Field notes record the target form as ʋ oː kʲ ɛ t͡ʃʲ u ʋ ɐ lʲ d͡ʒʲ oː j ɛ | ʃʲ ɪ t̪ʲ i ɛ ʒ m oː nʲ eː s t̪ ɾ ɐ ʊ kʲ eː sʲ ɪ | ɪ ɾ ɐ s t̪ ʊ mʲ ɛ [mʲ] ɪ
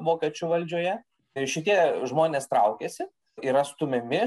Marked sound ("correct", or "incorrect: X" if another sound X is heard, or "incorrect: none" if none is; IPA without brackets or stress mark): correct